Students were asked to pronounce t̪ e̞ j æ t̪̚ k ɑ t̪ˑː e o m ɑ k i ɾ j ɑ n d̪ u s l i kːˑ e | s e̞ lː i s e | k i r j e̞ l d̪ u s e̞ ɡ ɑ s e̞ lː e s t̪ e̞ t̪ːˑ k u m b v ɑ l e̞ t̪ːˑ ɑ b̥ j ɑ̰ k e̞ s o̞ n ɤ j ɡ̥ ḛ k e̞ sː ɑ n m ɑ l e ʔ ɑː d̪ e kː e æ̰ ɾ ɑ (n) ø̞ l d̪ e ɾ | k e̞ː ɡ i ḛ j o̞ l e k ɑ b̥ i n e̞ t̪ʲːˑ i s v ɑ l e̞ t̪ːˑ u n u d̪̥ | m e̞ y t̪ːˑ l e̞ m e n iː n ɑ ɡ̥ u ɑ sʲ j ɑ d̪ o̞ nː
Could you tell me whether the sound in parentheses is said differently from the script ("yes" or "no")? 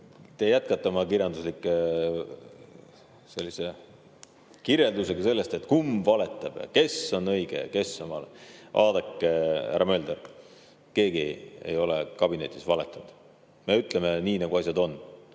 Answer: yes